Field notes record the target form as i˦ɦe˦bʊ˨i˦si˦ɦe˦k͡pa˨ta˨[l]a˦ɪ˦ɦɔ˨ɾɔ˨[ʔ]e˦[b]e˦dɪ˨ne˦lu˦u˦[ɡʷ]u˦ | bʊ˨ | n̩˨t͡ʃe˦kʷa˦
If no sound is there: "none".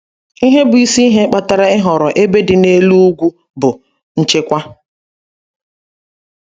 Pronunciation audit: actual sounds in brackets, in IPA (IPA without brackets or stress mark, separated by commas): ɾ, ʔ, b, ɡʷ